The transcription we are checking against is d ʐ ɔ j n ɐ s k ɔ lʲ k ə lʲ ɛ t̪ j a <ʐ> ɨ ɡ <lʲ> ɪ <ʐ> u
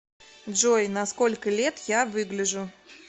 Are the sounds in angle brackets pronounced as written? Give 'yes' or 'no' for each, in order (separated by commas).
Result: no, yes, yes